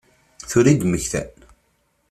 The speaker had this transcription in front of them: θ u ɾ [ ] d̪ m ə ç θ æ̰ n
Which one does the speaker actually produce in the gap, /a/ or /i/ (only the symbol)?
i